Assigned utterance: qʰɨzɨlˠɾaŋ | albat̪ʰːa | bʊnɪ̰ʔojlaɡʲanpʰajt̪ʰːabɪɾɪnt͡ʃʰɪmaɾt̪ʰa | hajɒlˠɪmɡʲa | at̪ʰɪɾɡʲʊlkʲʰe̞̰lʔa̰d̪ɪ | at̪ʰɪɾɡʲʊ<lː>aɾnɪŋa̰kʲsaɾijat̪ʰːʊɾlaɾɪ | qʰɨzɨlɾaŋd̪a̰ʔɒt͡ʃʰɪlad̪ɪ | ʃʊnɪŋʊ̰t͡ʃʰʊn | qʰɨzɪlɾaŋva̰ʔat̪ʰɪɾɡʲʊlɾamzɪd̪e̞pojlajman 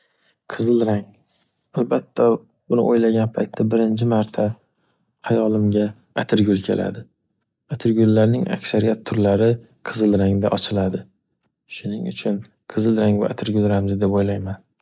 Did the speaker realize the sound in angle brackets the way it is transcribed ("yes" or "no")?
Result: yes